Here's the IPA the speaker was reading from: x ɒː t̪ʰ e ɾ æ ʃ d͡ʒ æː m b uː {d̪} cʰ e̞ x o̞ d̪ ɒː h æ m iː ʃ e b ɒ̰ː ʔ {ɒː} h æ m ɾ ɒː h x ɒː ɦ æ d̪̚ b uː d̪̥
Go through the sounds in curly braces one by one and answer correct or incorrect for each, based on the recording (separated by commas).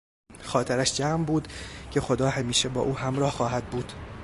correct, incorrect